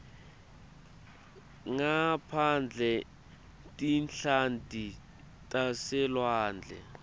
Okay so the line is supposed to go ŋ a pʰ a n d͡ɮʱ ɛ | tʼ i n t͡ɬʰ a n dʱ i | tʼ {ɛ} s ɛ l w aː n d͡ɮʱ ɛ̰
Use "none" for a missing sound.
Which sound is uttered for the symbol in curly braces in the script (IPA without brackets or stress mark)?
a